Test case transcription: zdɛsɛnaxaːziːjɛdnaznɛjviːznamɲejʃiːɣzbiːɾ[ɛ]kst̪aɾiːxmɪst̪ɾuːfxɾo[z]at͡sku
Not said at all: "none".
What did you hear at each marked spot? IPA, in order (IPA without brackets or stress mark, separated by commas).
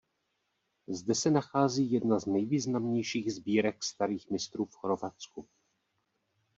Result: ɛ, v